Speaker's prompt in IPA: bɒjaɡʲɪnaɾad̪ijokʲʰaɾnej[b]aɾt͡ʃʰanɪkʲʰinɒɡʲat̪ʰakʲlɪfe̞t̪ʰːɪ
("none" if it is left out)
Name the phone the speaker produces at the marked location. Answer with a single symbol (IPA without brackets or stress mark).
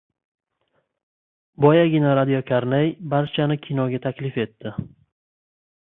b